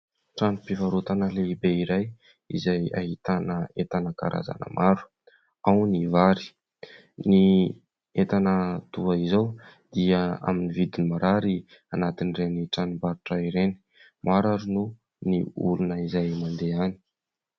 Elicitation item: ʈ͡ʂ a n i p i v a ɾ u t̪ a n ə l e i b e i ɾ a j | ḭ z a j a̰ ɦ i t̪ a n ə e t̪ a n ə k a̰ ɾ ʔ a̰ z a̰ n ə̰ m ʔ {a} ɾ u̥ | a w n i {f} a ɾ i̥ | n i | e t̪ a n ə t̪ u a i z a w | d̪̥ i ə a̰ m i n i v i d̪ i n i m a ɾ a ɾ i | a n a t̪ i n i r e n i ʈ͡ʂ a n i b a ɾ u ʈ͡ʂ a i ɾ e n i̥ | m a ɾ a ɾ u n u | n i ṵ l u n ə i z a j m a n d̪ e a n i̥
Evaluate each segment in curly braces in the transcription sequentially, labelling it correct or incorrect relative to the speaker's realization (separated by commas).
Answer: correct, incorrect